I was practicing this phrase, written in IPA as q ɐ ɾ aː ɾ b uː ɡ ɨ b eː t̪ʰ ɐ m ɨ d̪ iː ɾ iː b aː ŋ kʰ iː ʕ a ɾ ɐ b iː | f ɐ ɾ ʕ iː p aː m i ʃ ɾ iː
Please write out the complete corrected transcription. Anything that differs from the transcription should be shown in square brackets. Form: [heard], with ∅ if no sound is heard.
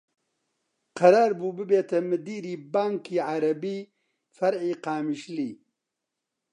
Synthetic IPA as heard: q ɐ ɾ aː ɾ b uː [b] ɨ b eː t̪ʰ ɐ m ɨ d̪ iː ɾ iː b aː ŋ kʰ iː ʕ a ɾ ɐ b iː | f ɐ ɾ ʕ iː [q] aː m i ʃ [l] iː

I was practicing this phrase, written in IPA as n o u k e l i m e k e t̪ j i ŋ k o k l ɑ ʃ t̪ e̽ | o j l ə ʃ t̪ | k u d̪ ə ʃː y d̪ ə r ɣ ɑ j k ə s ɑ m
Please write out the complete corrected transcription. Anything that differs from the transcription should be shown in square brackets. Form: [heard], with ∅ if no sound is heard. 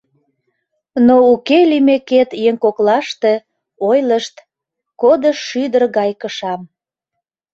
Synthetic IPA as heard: n o u k e l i m e k e t̪ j [e] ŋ k o k l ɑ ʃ t̪ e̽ | o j l ə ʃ t̪ | k [o] d̪ ə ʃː y d̪ ə r ɣ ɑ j k ə [ʃ] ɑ m

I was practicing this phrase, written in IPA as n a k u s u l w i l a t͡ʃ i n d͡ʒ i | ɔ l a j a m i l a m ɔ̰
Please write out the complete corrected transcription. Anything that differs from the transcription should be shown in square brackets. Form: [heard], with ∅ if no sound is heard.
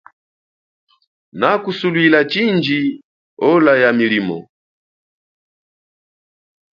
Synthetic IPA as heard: n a k u s u l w i l a t͡ʃ i n d͡ʒ i | ɔ l a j a m i l [i] m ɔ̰

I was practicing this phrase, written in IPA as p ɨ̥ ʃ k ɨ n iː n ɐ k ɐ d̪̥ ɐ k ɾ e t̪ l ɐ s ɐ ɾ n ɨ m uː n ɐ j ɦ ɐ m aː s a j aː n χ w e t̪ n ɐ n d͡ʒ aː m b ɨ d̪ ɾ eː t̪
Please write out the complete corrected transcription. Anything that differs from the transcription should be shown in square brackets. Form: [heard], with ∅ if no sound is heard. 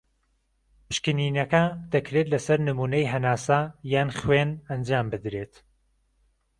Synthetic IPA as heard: p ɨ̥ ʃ k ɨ n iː n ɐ k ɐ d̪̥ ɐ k ɾ e t̪ l ɐ s ɐ ɾ n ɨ m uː n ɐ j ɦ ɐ [n] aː s a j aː n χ w e [∅] n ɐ n d͡ʒ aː m b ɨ d̪ ɾ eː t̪

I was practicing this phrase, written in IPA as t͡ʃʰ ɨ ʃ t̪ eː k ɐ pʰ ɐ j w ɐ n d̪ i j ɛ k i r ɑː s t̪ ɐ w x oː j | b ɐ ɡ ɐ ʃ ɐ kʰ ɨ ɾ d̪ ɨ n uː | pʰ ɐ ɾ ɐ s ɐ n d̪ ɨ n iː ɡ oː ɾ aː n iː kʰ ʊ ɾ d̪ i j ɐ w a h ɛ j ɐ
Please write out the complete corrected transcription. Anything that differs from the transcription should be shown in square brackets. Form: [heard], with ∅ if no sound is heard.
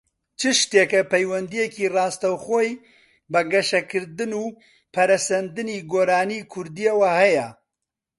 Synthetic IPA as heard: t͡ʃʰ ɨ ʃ t̪ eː k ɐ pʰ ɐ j w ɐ n d̪ i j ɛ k i r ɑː s t̪ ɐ w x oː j | b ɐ ɡ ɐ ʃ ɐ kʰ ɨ ɾ d̪ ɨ n uː | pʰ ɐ ɾ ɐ s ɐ n d̪ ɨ n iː ɡ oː ɾ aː n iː kʰ ʊ ɾ d̪ i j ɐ w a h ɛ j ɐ

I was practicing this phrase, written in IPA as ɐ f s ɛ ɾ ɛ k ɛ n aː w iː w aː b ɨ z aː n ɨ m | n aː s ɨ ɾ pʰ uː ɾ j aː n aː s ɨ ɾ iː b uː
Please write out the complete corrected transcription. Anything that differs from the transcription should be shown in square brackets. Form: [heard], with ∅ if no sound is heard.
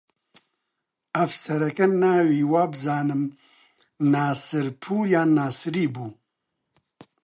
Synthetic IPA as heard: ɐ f s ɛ ɾ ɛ k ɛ n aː w iː w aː b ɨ z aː n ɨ m | n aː s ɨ ɾ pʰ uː ɾ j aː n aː s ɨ ɾ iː b uː

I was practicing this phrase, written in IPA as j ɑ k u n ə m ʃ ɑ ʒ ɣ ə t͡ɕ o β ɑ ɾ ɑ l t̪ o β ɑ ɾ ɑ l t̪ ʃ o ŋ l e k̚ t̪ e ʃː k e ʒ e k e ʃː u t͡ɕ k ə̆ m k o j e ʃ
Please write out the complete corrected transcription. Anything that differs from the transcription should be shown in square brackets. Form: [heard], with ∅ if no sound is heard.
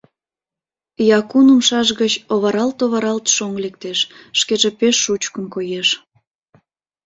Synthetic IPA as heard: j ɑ k u n ə m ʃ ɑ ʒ ɣ ə t͡ɕ o β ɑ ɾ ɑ l t̪ o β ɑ ɾ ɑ l t̪ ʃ o ŋ l e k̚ t̪ e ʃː k e ʒ e [p] e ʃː u t͡ɕ k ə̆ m k o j e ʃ

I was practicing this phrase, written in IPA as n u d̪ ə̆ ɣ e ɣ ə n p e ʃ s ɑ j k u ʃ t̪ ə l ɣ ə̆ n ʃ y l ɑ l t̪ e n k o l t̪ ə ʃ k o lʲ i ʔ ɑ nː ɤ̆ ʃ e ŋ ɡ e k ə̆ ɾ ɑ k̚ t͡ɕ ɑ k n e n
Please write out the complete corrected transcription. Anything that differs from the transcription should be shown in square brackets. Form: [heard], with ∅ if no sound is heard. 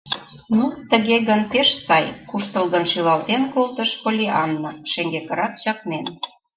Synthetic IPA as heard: n u [t̪] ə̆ ɣ e ɣ ə n p e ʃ s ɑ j k u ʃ t̪ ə l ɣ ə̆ n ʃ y l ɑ l t̪ e n k o l t̪ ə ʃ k o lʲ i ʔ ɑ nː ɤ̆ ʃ e ŋ ɡ e k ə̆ ɾ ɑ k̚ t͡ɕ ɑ k n e n

